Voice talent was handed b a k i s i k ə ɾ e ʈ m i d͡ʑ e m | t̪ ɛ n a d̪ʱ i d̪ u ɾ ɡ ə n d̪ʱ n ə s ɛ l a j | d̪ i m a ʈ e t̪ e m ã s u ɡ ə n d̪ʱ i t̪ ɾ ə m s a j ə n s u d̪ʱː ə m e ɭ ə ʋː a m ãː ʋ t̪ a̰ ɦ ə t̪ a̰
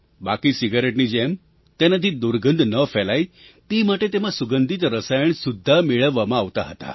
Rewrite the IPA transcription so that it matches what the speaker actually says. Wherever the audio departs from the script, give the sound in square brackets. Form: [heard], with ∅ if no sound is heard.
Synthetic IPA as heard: b a k i s i [ɡ] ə ɾ e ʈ [n] i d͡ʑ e m | t̪ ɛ n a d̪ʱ i d̪ u ɾ ɡ ə n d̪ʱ n ə [f] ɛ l a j | [t̪] i m a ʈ e t̪ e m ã s u ɡ ə n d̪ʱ i t̪ ɾ ə [∅] s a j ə [ɳ] s u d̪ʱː [a] m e ɭ ə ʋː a m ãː ʋ t̪ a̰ ɦ ə t̪ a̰